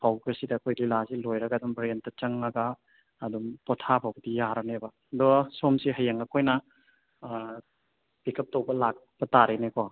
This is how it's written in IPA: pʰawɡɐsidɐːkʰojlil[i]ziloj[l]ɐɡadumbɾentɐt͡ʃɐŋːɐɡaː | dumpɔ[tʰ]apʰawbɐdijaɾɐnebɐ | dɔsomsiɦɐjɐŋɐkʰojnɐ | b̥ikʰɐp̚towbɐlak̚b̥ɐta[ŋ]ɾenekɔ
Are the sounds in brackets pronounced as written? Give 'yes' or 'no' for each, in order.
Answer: no, no, yes, no

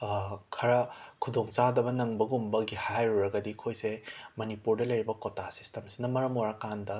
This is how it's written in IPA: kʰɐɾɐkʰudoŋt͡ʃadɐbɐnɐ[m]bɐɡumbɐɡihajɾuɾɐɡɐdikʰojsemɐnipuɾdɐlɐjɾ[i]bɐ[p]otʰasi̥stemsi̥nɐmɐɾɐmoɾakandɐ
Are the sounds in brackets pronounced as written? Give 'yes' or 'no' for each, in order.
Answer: no, yes, no

